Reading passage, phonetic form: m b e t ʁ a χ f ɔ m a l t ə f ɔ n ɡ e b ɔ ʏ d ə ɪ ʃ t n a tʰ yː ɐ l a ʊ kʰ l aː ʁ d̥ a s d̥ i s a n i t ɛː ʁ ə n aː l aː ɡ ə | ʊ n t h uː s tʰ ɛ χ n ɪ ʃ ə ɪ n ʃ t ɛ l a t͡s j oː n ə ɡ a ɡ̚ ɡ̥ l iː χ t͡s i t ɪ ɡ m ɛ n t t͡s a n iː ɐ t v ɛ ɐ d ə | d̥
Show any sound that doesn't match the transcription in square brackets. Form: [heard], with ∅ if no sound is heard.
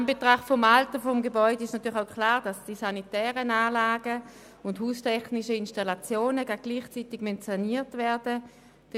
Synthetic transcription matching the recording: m b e t ʁ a χ f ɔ m a l t ə f ɔ [m] ɡ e b ɔ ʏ d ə ɪ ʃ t n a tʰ yː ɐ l a ʊ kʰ l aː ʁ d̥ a s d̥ i s a n i t ɛː ʁ ə n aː l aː ɡ ə | ʊ n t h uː s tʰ ɛ χ n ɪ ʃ ə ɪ n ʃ t [a] l a t͡s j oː n ə ɡ a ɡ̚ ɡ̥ l iː χ t͡s i t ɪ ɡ m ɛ n t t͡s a n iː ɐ t v ɛ ɐ d ə | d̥